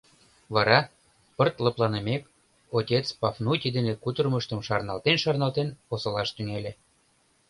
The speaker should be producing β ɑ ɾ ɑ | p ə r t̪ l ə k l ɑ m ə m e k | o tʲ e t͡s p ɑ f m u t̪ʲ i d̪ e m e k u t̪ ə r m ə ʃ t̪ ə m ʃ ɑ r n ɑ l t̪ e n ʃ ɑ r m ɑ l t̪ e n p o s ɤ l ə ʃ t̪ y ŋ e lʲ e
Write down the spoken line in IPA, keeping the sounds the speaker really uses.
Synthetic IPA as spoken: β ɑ ɾ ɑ | p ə r t̪ l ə p l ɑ n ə m e k | o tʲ e t͡s p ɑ f n u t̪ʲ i d̪ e n e k u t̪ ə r m ə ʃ t̪ ə m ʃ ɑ r n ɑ l t̪ e n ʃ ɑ r n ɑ l t̪ e n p o s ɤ l ɑ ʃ t̪ y ŋ e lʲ e